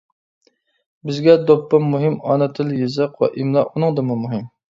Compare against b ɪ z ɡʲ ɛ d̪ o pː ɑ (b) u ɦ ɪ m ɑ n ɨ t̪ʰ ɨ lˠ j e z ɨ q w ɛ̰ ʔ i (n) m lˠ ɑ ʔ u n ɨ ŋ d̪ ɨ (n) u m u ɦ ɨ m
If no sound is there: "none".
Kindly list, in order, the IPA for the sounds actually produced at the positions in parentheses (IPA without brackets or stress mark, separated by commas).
m, none, m